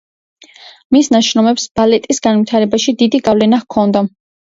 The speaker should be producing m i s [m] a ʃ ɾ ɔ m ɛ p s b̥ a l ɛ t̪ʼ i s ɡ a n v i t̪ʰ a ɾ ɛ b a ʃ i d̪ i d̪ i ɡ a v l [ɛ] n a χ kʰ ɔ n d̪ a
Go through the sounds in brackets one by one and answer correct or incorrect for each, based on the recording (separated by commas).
incorrect, correct